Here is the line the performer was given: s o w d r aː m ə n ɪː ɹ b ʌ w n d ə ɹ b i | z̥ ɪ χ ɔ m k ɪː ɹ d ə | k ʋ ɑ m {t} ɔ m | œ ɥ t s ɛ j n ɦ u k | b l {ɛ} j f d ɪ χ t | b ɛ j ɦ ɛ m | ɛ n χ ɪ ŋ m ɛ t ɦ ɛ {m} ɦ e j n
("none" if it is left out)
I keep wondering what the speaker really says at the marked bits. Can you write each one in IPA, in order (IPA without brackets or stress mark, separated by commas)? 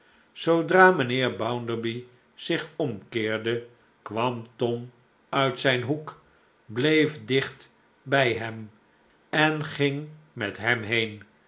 t, e, m